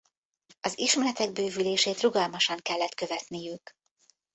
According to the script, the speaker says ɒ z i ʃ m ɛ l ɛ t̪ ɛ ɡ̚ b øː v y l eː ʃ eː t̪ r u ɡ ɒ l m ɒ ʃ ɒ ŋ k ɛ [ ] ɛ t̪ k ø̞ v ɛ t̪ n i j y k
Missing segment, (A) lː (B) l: A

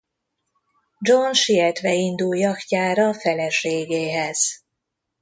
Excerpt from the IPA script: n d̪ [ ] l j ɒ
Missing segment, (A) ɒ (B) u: B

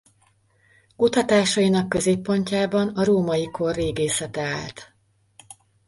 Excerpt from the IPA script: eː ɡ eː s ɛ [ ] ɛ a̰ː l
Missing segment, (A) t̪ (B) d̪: A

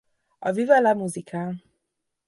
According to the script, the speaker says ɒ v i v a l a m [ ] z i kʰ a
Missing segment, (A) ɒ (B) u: B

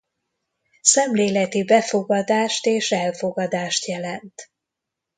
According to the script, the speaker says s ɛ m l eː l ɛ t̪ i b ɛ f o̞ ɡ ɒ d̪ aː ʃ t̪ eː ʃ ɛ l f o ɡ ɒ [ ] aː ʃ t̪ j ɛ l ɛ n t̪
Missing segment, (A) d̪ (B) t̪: A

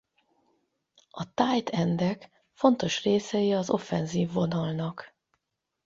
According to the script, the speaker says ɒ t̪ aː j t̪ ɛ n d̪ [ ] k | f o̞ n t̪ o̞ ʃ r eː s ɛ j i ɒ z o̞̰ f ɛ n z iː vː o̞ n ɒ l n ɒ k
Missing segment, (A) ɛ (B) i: A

